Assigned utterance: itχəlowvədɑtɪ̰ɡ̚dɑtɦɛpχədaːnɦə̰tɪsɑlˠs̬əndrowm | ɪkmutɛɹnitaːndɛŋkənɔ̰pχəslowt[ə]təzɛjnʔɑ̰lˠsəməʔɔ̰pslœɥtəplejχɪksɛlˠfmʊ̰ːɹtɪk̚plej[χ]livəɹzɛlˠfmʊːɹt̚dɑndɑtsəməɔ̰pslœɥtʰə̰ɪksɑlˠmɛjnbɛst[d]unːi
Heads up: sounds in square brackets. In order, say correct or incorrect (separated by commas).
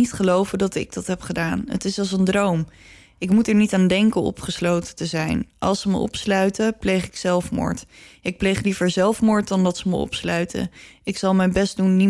correct, correct, correct